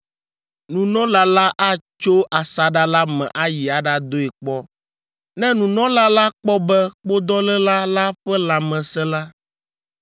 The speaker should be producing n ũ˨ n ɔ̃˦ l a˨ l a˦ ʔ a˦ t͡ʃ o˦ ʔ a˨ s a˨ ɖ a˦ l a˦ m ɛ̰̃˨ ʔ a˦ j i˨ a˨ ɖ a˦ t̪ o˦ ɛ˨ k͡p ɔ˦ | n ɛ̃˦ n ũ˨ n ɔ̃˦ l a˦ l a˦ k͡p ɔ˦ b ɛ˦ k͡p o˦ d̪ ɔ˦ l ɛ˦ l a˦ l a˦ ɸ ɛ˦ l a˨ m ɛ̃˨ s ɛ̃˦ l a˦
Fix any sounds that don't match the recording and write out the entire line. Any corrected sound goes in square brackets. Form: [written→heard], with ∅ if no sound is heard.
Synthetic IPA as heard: n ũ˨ n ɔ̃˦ l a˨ l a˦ ʔ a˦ t͡ʃ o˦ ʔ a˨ s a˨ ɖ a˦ l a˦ m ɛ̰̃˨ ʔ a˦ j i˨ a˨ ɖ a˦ [t̪→d̪] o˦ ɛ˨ k͡p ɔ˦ | n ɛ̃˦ n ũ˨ n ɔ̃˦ l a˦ l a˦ k͡p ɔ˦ b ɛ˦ k͡p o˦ d̪ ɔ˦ l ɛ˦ l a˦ l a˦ ɸ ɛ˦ l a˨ m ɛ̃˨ s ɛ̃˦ l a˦